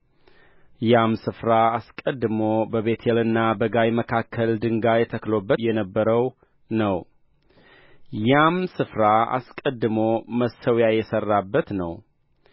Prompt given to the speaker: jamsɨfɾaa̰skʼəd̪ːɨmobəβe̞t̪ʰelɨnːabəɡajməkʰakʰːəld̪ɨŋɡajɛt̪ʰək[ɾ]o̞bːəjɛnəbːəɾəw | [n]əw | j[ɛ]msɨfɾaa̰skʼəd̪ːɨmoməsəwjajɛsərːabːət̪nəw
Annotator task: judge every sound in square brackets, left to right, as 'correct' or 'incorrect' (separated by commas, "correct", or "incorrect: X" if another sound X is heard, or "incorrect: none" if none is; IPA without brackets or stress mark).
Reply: incorrect: l, correct, incorrect: a